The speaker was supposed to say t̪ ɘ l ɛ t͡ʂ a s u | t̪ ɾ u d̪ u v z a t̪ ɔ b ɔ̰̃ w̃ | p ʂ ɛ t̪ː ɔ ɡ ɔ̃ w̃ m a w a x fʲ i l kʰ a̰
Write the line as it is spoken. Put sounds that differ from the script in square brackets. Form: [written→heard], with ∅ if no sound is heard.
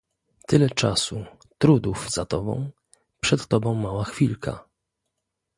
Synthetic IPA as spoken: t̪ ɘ l ɛ t͡ʂ a s u | t̪ ɾ u d̪ u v z a t̪ ɔ b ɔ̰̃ w̃ | p ʂ ɛ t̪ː ɔ [ɡ→b] ɔ̃ w̃ m a w a x fʲ i l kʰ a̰